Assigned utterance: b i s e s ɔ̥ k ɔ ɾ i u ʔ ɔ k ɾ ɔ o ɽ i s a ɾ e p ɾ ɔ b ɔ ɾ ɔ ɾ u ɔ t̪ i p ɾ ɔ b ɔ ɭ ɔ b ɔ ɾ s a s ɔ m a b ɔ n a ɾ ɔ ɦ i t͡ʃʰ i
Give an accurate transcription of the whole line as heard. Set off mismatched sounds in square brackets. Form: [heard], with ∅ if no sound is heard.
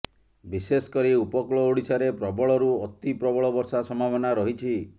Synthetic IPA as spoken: b i s e s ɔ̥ k ɔ ɾ i u [p] ɔ k [ɭ] ɔ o ɽ i s a ɾ e p ɾ ɔ b ɔ [ɭ] ɔ ɾ u ɔ t̪ i p ɾ ɔ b ɔ ɭ ɔ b ɔ ɾ s a s ɔ m a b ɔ n a ɾ ɔ ɦ i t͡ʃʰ i